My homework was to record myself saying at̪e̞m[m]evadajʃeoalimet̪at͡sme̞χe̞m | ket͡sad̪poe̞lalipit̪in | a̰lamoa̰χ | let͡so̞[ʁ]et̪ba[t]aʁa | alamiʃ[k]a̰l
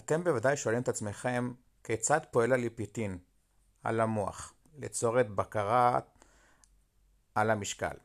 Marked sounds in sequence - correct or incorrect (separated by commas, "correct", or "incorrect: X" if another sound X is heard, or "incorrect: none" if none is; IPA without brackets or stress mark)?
incorrect: b, correct, incorrect: k, correct